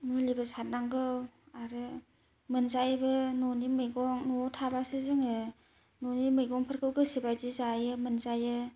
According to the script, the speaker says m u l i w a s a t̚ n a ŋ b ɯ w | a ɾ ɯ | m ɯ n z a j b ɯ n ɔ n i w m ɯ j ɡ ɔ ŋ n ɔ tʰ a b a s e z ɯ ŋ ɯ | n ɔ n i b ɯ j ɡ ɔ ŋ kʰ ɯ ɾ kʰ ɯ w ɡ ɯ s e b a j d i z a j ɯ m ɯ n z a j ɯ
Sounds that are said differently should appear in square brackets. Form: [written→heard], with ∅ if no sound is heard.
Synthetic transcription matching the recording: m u l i [w→b] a s a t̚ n a ŋ [b→ɡ] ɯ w | a ɾ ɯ | m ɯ n z a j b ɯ n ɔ n i [w→∅] m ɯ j ɡ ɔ ŋ n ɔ tʰ a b a s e z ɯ ŋ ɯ | n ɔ n i [b→m] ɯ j ɡ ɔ ŋ [kʰ→pʰ] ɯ ɾ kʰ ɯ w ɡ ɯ s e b a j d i z a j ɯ m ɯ n z a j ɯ